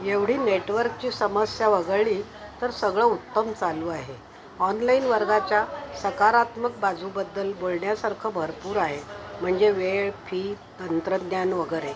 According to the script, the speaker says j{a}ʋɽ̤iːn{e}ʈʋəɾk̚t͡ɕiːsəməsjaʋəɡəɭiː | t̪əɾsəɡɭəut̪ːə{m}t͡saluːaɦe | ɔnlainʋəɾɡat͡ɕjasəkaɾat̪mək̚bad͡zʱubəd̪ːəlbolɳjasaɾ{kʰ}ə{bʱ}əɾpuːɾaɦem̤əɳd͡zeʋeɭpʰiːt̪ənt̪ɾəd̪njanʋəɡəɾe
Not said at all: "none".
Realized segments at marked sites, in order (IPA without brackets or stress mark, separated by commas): e, e, m, kʰ, bʱ